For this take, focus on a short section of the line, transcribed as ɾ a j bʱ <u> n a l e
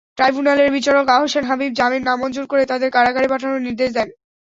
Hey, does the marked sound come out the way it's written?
yes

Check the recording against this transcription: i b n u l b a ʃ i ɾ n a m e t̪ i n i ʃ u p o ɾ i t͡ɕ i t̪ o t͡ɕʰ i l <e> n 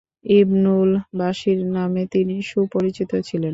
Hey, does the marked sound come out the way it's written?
yes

